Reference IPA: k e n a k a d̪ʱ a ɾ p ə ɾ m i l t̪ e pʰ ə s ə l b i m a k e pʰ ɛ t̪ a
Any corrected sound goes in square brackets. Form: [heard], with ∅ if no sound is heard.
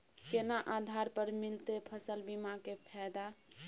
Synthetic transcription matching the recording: k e n a [ʔ] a d̪ʱ a ɾ p ə ɾ m i l t̪ e pʰ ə s ə l b i m a k e pʰ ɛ [d̪] a